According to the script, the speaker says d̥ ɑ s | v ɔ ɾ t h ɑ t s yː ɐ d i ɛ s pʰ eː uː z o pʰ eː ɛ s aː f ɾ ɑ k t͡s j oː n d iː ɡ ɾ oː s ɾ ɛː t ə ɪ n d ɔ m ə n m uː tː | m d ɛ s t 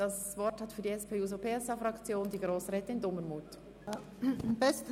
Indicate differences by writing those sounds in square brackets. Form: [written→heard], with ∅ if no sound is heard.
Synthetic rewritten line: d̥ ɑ s | v ɔ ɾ t h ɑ t [s→f] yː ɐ d i ɛ s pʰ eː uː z o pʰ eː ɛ s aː f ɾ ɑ k t͡s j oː n d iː ɡ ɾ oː s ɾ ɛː t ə ɪ n d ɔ m ə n m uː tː | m [d→b] ɛ s t